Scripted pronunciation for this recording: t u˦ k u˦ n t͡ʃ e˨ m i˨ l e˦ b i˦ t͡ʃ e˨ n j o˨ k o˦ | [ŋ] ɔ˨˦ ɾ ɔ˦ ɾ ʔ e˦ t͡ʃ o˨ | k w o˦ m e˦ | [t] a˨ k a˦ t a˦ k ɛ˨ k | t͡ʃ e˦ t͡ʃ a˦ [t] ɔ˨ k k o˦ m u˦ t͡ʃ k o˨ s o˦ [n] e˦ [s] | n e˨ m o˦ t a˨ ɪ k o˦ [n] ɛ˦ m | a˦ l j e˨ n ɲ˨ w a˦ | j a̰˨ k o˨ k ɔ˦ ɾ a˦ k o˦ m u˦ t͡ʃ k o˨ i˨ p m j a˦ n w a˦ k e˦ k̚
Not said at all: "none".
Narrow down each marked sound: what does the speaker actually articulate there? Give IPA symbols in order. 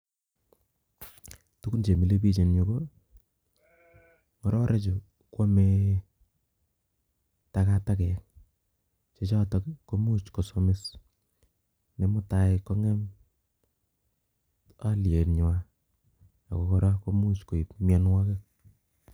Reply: ŋ, t, t, m, s, ŋ

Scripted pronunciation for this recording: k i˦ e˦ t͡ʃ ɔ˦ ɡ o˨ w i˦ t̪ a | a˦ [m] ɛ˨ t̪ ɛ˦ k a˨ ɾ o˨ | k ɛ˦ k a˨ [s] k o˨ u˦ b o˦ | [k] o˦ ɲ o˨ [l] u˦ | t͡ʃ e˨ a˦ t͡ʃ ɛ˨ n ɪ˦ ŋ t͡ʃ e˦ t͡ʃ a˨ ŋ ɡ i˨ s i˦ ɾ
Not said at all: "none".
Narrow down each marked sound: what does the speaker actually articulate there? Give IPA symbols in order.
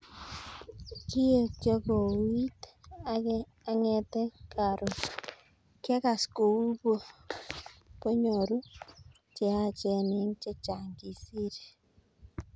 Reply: ŋ, s, p, ɾ

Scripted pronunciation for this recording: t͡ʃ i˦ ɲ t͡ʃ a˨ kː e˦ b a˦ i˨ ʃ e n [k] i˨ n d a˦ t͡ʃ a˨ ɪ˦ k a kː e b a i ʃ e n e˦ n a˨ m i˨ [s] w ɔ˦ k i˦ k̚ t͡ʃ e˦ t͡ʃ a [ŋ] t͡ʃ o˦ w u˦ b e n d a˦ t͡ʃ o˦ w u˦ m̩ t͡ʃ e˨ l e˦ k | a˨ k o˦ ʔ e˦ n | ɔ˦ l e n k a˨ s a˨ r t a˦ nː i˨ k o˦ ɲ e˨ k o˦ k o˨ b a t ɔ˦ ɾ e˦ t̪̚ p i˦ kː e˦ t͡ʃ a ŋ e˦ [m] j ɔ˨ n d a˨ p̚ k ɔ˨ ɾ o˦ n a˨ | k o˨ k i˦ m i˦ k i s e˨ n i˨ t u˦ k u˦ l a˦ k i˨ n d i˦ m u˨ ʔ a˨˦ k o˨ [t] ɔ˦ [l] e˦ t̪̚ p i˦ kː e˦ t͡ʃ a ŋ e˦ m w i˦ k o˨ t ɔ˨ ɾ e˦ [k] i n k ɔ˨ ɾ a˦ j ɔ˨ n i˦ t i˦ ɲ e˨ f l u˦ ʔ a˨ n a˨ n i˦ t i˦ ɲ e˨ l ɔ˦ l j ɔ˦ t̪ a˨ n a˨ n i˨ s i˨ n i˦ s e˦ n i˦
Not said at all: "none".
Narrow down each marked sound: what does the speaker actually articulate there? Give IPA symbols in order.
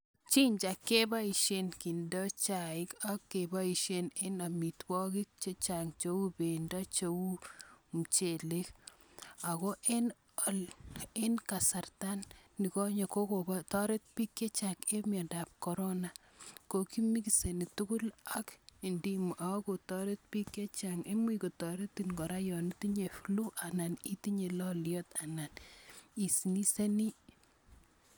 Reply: k, t, ŋ, m, t, ɾ, t

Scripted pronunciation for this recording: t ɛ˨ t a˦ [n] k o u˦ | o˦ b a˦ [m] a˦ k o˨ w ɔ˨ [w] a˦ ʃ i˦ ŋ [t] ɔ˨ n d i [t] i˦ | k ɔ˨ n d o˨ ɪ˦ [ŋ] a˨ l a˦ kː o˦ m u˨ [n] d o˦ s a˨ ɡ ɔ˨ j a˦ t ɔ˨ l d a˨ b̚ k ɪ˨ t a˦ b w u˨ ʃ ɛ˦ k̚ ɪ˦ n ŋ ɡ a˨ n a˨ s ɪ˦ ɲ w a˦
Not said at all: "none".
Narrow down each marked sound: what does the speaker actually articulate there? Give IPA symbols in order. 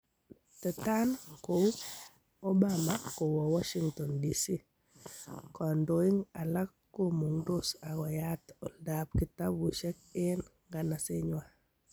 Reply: n, m, w, t, s, ŋ, ŋ

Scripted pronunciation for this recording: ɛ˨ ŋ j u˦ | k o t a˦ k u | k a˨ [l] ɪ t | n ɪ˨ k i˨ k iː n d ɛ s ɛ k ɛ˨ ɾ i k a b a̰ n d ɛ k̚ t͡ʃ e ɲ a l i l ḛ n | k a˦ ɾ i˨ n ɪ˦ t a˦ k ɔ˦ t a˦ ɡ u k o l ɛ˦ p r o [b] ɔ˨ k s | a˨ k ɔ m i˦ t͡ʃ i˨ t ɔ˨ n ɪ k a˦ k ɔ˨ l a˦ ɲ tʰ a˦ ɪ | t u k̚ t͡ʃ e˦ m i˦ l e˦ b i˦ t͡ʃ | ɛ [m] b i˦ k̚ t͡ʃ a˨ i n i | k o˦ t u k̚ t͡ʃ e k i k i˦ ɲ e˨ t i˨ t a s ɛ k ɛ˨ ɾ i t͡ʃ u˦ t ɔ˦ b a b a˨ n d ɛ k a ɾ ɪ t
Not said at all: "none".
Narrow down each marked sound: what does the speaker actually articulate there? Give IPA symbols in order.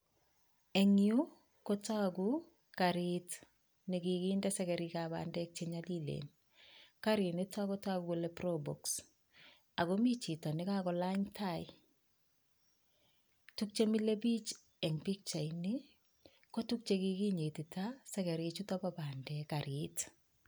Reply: ɾ, b, ŋ

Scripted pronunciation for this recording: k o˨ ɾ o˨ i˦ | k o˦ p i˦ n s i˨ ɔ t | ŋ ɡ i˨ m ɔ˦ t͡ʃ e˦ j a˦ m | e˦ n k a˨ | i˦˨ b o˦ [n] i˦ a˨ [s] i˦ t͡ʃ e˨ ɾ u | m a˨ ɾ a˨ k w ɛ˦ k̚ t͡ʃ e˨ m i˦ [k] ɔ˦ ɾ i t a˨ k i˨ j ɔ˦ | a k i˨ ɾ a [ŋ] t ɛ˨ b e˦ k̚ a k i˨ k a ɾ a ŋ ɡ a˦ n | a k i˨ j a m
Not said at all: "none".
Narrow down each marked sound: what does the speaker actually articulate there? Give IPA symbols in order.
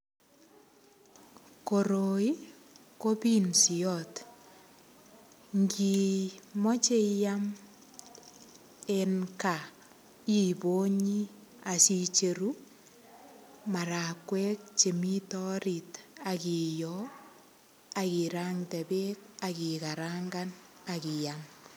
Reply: ɲ, s, t, ŋ

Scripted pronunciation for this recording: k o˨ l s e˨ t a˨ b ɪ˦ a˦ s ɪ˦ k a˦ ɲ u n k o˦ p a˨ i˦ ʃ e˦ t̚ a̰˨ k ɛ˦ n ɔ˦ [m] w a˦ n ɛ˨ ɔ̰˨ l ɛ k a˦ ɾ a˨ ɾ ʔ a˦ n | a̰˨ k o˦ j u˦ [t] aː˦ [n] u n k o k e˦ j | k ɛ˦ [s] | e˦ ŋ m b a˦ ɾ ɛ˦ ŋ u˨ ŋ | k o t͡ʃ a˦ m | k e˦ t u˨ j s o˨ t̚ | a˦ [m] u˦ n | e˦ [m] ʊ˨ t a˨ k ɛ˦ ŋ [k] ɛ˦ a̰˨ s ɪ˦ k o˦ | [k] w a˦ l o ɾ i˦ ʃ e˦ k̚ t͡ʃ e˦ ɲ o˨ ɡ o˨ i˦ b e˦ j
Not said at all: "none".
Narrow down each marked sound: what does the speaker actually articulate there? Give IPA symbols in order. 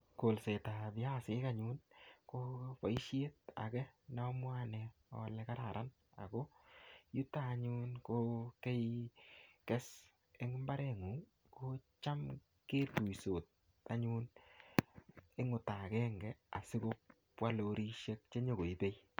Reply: m, t, ɲ, s, ɲ, ŋ, ɡ, p

